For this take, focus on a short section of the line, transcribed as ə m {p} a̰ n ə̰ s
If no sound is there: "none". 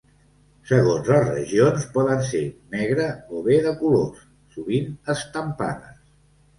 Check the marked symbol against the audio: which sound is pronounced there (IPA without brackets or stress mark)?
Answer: p